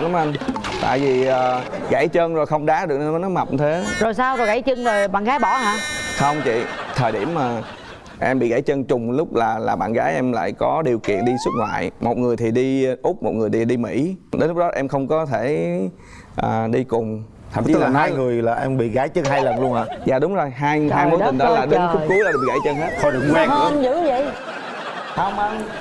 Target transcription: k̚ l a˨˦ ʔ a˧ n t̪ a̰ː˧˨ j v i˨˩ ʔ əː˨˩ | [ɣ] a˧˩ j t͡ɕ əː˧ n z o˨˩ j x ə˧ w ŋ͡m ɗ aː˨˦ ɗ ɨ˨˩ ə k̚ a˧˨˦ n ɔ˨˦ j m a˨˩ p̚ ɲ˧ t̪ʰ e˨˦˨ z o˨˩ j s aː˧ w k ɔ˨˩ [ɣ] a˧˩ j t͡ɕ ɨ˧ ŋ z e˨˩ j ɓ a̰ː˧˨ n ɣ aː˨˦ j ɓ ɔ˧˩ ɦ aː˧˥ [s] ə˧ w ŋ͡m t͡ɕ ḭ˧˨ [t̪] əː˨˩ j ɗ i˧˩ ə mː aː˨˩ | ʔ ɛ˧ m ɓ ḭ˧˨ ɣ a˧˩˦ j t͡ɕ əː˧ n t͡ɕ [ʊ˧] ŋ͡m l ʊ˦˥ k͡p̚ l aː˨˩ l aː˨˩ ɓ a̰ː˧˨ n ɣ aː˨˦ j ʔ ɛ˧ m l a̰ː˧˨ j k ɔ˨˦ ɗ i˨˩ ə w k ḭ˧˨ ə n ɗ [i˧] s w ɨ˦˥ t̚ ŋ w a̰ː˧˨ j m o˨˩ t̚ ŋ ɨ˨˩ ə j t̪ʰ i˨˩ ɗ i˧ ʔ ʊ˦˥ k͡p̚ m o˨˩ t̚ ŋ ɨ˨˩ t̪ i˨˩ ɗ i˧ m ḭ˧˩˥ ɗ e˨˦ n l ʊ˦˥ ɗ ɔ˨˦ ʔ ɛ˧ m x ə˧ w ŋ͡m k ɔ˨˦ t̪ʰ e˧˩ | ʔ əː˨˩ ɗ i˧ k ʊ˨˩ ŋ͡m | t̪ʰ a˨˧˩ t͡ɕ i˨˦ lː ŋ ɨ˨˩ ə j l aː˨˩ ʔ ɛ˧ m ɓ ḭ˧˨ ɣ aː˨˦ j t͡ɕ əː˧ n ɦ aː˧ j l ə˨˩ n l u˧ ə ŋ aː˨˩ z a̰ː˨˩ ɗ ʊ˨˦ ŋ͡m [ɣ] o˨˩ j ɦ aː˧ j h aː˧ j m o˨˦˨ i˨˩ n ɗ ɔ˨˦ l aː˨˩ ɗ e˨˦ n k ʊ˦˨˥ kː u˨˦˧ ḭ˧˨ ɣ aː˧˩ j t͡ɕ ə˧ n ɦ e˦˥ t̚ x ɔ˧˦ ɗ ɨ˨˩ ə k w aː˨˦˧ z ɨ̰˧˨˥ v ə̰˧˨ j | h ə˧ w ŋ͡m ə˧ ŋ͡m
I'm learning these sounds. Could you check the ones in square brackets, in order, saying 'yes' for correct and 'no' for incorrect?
yes, yes, no, no, no, yes, no

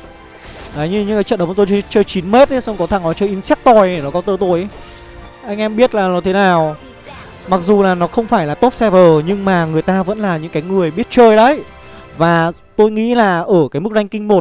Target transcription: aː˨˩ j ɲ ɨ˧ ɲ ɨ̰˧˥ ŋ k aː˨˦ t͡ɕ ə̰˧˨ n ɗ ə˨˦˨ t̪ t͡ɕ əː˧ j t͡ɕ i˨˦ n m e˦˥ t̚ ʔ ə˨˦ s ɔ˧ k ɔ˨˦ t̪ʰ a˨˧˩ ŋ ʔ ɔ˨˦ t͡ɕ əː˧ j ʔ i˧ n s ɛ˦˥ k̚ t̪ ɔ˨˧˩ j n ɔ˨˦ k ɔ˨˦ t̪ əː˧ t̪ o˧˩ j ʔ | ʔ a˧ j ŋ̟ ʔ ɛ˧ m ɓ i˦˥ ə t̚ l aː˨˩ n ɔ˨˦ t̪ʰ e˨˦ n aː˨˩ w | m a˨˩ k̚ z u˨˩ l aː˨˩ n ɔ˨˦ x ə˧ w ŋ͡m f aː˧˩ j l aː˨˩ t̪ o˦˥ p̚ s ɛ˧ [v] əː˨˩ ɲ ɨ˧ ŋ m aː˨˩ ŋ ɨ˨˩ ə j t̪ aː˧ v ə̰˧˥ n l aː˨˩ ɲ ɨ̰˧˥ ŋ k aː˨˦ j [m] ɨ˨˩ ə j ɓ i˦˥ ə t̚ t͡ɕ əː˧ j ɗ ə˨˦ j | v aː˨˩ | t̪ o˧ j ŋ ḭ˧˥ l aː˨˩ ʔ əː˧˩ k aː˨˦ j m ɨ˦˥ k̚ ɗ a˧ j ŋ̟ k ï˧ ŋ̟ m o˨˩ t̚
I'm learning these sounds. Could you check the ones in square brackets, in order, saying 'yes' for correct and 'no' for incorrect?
yes, no

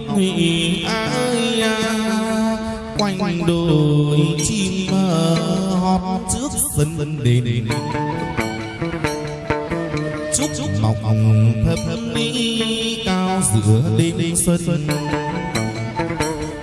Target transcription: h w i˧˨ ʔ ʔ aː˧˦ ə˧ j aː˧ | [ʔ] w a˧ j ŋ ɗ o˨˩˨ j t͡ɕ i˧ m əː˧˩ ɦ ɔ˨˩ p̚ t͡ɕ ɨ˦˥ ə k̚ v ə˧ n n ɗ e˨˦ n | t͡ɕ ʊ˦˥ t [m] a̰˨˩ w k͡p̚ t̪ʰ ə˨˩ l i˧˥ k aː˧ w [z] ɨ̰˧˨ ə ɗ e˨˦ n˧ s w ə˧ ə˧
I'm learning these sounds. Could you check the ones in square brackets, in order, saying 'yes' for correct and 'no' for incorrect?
no, yes, yes

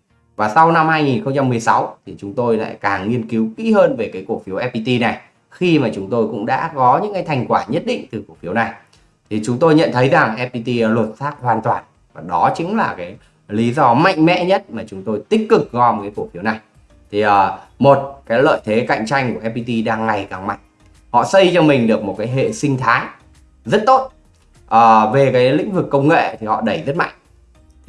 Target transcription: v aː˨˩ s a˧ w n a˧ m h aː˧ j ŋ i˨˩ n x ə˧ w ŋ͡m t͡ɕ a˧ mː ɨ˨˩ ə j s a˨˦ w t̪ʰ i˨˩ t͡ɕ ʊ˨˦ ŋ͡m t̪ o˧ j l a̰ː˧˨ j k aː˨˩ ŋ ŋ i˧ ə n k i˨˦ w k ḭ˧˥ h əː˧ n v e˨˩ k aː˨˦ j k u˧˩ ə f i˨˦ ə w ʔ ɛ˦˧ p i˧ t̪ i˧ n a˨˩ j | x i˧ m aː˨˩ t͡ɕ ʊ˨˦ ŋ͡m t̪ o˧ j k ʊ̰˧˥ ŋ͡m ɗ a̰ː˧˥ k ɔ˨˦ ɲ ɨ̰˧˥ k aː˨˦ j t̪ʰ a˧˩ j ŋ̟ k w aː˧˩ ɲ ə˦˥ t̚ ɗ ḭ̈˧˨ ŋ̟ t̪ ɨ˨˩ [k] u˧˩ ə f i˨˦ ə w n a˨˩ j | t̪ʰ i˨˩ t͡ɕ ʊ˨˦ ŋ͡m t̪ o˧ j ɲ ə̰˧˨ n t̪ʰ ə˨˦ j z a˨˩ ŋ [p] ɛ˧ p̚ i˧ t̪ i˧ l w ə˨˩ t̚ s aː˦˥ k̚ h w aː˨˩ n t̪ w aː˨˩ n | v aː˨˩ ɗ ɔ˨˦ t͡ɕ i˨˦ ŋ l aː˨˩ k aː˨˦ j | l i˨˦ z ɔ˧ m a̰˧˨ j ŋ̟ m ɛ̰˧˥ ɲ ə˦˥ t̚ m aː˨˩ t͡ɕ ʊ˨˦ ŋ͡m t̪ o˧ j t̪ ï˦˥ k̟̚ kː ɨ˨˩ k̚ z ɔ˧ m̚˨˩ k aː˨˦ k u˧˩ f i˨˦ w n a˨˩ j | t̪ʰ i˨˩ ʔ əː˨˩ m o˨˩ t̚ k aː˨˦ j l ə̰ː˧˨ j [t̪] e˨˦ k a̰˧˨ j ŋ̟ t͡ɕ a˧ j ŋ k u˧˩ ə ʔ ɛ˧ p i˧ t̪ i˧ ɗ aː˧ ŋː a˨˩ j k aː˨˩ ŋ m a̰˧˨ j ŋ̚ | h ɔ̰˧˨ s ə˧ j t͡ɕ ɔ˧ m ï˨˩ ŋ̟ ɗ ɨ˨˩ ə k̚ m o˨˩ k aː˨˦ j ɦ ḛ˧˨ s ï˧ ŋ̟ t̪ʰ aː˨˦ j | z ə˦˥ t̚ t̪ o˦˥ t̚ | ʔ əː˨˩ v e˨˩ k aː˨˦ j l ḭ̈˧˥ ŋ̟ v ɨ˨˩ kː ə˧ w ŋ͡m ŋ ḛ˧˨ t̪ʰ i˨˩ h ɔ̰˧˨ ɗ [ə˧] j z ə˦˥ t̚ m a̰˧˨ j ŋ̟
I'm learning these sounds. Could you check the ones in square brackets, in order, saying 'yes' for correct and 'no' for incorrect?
yes, no, no, no

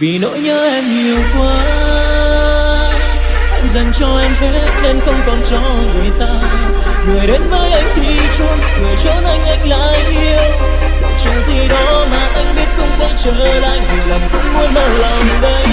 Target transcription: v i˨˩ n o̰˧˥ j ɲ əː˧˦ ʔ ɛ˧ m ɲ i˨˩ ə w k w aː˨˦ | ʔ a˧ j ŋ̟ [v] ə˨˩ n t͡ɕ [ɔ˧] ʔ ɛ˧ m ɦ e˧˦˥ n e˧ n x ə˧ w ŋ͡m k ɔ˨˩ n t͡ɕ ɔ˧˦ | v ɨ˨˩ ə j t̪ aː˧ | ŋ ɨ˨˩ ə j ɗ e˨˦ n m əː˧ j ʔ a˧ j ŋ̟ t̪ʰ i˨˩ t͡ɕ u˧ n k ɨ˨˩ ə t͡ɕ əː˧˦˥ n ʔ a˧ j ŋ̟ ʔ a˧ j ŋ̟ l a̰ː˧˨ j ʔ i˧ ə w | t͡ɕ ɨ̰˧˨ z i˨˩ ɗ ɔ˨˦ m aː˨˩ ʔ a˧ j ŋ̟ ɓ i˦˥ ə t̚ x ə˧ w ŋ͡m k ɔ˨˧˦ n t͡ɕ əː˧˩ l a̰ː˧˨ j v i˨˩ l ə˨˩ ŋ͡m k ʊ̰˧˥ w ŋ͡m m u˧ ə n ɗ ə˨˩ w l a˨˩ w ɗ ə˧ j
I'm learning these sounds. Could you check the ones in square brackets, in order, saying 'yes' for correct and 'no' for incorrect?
no, yes

